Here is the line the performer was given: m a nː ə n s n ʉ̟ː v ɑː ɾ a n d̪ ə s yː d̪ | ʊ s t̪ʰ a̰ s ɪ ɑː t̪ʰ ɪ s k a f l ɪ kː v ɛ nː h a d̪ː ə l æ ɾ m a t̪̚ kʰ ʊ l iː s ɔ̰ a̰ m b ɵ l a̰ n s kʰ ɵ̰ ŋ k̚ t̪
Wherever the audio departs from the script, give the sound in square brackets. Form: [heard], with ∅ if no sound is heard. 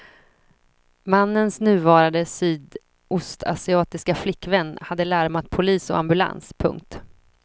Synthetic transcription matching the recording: m a nː ə n s n ʉ̟ː v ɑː ɾ a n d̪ ə s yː d̪ | ʊ s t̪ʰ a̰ s ɪ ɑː [t̪] ɪ s k a f l ɪ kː v ɛ nː h a d̪ː ə l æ ɾ m a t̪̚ [pʰ] ʊ l iː s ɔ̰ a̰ m b ɵ l a̰ n s [pʰ] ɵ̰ ŋ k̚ t̪